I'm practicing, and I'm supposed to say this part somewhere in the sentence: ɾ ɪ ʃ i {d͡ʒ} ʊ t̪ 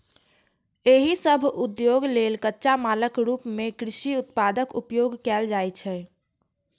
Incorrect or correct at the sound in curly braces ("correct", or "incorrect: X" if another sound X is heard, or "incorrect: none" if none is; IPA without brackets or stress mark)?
incorrect: none